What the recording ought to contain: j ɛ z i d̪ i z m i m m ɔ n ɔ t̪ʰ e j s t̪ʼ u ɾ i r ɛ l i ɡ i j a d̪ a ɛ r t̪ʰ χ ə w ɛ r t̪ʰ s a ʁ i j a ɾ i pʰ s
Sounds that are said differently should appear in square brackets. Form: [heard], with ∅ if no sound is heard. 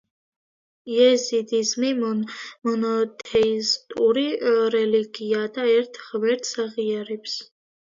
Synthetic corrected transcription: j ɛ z i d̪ i z m i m m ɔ n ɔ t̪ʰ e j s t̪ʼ u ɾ i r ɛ l i ɡ i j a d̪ a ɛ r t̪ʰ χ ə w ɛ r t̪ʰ s a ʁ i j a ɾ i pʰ s